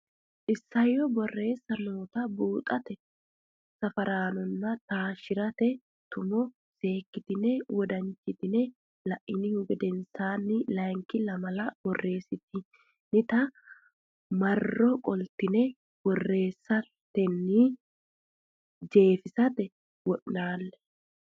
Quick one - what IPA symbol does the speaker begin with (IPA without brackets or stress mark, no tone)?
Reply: ʔ